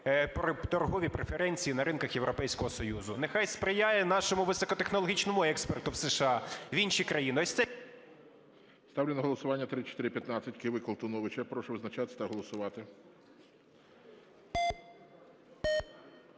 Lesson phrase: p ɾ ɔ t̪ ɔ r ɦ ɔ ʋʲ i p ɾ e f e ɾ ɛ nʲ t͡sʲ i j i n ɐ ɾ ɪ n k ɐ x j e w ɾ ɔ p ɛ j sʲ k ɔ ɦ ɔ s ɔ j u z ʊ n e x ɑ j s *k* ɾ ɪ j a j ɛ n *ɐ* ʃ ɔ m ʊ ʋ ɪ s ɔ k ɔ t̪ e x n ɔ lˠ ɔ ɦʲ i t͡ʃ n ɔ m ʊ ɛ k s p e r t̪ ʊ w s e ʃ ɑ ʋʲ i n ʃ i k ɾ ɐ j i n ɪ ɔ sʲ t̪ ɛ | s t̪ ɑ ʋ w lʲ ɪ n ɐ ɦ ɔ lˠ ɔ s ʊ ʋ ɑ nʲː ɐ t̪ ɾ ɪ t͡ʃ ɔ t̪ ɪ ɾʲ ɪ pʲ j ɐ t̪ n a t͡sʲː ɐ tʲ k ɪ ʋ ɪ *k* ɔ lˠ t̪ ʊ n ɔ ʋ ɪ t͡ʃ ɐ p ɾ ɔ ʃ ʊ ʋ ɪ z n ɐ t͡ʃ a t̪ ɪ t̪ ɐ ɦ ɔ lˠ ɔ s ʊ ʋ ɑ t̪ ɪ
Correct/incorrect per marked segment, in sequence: incorrect: p, incorrect: ɑ, correct

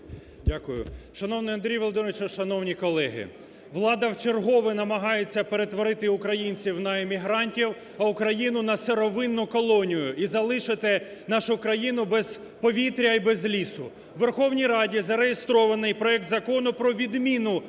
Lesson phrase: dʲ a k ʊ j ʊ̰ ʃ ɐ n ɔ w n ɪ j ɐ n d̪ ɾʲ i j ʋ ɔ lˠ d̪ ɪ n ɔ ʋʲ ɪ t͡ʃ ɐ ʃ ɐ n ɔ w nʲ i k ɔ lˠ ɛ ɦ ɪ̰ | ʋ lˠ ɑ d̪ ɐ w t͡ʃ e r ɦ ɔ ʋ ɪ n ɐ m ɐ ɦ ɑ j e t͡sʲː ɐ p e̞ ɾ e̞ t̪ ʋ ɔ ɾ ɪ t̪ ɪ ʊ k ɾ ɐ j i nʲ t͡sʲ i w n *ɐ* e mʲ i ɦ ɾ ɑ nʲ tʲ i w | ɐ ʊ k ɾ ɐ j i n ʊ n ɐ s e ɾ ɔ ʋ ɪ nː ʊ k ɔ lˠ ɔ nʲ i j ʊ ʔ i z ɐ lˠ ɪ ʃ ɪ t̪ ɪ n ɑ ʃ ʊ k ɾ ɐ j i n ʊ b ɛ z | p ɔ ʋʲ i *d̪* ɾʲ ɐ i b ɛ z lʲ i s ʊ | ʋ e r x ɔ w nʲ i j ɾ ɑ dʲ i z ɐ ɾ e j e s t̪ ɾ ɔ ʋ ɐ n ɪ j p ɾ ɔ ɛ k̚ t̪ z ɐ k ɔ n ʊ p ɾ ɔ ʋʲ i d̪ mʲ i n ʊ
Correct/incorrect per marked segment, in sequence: correct, incorrect: t̪

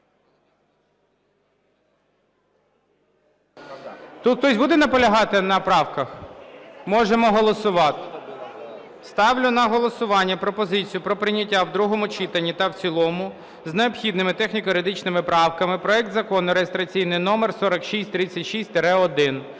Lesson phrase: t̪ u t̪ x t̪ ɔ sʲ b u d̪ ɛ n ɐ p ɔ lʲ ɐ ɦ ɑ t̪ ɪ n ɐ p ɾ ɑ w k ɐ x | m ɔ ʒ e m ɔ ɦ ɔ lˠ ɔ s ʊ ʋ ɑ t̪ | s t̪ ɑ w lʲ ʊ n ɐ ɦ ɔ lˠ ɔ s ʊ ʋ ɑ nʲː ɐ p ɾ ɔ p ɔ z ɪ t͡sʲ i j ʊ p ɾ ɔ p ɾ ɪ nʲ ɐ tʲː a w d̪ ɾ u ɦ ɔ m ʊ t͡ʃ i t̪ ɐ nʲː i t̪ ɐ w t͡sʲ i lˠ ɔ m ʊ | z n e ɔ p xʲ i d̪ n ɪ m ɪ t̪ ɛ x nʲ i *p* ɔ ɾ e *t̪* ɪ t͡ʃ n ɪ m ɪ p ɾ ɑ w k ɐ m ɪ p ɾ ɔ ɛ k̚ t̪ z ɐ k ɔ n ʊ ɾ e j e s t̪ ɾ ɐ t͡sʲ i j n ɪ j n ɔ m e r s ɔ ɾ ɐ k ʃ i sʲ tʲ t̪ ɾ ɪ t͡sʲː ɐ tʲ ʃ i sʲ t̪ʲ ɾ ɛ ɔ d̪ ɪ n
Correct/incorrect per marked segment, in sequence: incorrect: k, incorrect: d̪

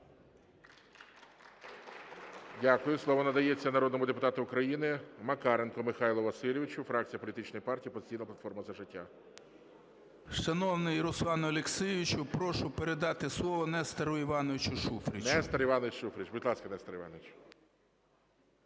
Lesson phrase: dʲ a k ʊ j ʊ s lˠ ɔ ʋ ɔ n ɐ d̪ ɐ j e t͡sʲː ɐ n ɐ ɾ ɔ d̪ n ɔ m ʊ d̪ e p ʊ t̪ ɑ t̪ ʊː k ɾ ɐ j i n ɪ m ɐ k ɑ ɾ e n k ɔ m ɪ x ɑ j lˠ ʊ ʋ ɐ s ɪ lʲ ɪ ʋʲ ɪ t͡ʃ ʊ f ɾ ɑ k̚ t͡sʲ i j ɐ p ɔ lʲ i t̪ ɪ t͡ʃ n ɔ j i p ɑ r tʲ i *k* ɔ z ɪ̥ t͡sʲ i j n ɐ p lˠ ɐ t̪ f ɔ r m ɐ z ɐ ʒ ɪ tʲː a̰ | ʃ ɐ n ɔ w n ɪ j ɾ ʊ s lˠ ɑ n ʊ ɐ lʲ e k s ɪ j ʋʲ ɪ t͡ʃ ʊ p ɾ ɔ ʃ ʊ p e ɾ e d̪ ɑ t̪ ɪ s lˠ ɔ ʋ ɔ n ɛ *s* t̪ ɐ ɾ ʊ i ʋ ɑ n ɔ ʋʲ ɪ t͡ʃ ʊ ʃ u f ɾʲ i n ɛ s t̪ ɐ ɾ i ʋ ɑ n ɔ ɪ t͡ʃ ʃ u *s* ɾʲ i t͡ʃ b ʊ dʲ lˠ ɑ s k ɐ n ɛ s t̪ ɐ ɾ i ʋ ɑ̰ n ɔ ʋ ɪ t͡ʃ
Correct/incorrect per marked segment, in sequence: incorrect: p, correct, incorrect: f

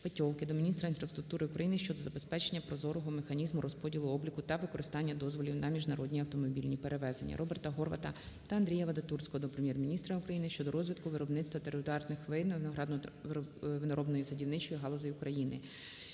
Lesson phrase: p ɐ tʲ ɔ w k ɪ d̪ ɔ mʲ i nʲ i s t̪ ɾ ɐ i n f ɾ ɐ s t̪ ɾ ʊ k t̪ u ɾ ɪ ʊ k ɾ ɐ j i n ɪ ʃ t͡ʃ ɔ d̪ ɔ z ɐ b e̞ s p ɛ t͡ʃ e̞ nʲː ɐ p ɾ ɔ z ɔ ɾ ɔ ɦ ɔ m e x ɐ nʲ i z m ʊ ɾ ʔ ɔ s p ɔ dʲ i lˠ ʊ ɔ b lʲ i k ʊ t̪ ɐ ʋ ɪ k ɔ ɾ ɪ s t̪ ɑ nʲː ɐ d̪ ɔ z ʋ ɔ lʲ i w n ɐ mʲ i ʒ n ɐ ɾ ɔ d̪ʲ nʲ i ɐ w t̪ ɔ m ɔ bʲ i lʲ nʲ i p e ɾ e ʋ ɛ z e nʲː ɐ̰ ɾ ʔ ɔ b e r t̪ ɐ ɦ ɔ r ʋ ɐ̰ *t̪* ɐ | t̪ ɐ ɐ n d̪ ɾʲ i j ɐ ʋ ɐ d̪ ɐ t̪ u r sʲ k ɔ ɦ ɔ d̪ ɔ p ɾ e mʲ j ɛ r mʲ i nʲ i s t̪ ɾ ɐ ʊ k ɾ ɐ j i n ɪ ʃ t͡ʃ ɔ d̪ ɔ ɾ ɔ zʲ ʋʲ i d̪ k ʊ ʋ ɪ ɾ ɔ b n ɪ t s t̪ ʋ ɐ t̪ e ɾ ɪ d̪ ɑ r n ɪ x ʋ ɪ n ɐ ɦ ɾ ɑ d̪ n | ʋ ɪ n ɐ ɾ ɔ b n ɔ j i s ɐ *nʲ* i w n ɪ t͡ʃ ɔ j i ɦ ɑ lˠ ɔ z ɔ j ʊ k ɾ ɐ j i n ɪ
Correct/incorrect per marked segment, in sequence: correct, incorrect: dʲ

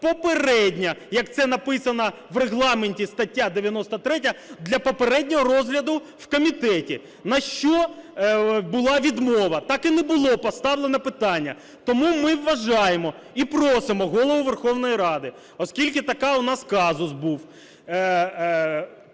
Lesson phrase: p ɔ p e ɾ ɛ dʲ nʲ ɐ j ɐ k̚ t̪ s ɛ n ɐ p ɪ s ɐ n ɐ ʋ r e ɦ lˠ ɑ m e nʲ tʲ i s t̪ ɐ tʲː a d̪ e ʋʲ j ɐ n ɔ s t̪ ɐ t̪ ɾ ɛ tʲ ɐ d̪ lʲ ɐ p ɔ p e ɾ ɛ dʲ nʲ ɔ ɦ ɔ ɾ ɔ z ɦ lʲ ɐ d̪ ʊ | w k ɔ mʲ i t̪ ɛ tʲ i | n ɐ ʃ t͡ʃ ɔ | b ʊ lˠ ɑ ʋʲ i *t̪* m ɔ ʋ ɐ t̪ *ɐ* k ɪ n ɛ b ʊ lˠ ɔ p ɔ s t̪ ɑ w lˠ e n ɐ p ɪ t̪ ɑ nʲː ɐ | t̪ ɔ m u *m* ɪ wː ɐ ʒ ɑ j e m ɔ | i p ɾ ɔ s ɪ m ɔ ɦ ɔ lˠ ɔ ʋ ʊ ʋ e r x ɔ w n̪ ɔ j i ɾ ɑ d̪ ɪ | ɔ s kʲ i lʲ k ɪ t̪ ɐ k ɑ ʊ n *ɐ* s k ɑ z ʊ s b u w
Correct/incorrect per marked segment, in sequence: incorrect: d̪, incorrect: ɑ, correct, incorrect: ɑ

